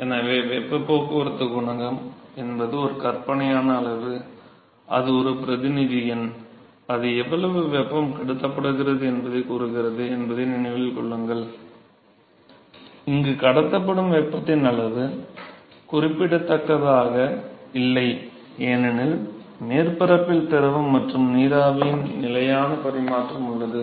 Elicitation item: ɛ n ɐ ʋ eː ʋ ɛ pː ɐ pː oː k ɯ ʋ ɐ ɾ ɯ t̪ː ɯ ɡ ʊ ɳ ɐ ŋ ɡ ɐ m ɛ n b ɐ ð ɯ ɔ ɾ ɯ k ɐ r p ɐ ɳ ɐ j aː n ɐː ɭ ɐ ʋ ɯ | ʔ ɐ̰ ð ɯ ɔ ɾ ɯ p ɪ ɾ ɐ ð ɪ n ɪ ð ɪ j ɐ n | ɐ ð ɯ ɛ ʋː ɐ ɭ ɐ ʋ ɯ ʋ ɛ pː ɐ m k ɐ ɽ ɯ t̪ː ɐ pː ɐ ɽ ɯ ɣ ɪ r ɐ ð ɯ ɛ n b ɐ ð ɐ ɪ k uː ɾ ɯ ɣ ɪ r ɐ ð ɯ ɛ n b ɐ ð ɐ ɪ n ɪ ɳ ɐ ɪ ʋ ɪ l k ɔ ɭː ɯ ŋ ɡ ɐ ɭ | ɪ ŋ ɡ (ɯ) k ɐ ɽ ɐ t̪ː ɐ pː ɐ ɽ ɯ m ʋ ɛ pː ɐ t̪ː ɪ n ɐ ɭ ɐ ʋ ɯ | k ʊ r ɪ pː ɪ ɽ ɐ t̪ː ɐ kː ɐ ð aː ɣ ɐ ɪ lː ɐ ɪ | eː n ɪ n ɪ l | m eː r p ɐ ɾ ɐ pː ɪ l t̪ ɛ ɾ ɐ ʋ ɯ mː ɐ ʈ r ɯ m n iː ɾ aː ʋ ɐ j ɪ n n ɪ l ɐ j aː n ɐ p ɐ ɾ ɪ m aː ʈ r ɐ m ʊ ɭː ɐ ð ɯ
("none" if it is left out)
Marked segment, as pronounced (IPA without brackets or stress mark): ɯ